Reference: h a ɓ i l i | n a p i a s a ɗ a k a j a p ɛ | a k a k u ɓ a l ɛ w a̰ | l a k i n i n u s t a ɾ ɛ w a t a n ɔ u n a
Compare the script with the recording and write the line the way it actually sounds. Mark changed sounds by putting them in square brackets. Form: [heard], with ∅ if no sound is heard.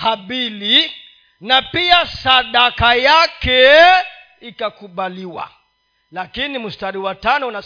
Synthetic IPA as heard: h a ɓ i l i | n a p i a s a ɗ a k a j a [k] ɛ | [i] k a k u ɓ a l [i] w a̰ | l a k i n i [m] u s t a ɾ [i] w a t a n ɔ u n a